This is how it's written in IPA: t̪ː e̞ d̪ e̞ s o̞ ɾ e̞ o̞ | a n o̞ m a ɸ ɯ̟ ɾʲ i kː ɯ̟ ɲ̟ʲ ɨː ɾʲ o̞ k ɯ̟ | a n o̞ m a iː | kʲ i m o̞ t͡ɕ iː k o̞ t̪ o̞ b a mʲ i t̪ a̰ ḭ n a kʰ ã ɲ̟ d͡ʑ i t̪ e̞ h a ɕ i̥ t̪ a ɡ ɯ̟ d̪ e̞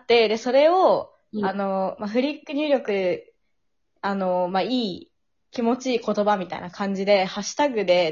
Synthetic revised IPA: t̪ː e̞ d̪ e̞ s o̞ ɾ e̞ o̞ | a n o̞ m a ɸ ɯ̟ ɾʲ i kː ɯ̟ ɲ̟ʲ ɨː ɾʲ o̞ k ɯ̟ | a n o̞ m a iː | kʲ i m o̞ t͡ɕ iː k o̞ t̪ o̞ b a mʲ i t̪ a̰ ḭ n a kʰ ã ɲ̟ d͡ʑ i d̪ e̞ h a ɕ i̥ t̪ a ɡ ɯ̟ d̪ e̞